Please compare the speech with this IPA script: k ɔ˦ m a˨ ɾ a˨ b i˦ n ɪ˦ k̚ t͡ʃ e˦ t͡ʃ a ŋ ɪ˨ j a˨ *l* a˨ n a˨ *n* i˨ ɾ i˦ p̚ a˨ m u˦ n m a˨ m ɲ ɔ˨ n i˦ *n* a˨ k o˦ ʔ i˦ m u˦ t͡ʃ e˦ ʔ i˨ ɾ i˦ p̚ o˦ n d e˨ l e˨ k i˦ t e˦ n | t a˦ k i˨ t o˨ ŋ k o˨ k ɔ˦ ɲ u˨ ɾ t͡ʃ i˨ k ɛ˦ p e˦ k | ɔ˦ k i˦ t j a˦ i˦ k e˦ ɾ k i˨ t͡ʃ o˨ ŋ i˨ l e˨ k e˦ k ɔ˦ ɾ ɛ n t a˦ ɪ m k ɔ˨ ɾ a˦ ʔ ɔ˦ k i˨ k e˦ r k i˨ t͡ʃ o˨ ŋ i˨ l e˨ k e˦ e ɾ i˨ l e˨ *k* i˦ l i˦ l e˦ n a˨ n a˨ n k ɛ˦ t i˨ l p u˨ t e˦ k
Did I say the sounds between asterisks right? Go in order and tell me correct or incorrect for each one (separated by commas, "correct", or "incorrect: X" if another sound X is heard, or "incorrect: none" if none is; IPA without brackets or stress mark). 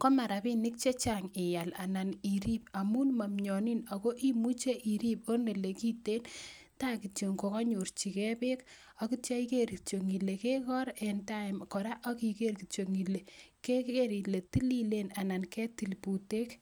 correct, correct, correct, incorrect: t